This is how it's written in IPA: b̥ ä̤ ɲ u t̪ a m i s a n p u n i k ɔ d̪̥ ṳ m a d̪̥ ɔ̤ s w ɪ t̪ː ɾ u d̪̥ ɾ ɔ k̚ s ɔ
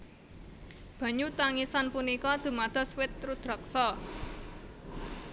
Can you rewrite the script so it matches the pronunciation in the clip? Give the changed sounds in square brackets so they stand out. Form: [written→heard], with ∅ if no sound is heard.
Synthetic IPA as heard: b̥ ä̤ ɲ u t̪ a [m→ŋ] i s a n p u n i k ɔ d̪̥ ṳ m a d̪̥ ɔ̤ s w ɪ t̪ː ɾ u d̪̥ ɾ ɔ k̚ s ɔ